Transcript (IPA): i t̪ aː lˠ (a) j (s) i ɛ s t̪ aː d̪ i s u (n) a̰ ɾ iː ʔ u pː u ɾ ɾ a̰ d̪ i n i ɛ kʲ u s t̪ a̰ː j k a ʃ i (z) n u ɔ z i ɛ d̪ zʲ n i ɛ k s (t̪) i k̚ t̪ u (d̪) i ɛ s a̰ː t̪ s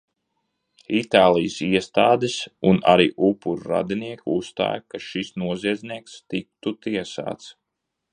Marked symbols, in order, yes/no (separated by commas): no, yes, yes, no, yes, no